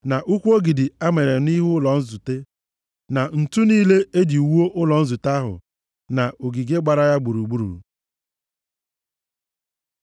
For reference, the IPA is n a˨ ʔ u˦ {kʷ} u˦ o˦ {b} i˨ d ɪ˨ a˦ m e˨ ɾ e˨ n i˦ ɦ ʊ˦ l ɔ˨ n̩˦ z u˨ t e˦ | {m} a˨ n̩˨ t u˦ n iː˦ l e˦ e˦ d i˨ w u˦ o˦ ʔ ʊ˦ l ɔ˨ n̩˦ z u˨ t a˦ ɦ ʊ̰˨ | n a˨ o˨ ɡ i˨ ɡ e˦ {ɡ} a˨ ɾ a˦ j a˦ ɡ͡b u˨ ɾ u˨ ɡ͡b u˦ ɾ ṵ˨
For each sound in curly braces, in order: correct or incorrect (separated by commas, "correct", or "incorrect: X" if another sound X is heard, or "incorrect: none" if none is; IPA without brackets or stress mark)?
correct, incorrect: ɡ, incorrect: n, incorrect: ɡ͡b